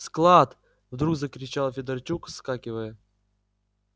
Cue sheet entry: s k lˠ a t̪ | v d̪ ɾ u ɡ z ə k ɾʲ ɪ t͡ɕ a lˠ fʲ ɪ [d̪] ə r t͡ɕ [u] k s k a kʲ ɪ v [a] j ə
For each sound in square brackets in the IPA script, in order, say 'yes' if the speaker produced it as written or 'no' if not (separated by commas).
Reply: yes, yes, no